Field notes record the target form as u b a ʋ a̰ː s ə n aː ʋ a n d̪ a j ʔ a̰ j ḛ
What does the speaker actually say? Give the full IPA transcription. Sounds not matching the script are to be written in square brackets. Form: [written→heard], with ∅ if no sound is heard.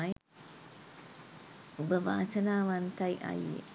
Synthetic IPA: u b [a→ə] ʋ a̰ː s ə n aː ʋ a n [d̪→t̪] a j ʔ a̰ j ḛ